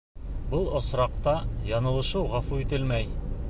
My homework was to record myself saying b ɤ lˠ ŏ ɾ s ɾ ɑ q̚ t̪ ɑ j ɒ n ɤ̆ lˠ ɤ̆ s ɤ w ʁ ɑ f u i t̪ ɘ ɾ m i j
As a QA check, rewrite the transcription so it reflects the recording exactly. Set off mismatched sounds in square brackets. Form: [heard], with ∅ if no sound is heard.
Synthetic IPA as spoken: b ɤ lˠ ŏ [∅] s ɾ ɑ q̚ t̪ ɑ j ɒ n ɤ̆ lˠ ɤ̆ [ʃ] ɤ w ʁ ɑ f u i t̪ ɘ [l] m [æ] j